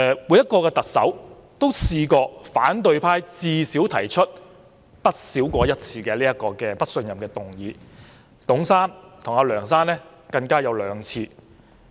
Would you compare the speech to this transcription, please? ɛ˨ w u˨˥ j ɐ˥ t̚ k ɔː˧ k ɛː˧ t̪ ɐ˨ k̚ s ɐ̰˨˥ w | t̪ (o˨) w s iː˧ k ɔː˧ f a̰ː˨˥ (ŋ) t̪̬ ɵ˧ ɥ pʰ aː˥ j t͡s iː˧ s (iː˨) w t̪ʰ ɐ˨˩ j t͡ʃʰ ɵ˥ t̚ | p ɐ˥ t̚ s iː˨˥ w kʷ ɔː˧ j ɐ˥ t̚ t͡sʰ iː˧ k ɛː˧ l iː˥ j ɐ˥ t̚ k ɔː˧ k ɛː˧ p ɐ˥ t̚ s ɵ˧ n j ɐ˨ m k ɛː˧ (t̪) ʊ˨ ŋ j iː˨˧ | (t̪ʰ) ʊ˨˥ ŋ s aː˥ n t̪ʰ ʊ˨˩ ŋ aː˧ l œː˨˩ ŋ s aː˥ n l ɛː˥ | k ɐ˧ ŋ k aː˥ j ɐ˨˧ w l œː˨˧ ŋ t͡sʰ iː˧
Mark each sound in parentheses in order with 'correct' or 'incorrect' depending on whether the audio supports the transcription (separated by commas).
incorrect, incorrect, incorrect, correct, incorrect